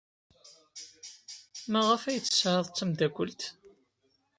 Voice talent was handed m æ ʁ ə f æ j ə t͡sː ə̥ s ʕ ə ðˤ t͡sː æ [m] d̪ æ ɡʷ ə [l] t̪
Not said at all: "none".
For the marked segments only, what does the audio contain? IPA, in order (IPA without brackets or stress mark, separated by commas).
m, l